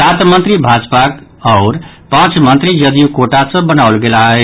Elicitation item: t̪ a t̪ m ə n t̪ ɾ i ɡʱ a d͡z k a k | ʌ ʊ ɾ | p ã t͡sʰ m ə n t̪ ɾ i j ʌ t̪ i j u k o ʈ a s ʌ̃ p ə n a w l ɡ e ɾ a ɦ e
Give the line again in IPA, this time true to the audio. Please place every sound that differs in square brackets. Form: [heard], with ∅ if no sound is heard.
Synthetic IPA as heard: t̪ a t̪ m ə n t̪ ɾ i [bʱ] a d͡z [p] a k | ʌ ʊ ɾ | p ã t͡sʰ m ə n t̪ ɾ i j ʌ [d̪] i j u k o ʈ a s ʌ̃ [b] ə n a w l ɡ e [l] a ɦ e